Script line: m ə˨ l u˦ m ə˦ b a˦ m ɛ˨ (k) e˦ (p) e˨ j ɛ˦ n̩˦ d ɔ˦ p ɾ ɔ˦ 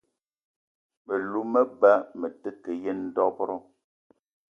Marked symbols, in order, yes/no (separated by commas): no, no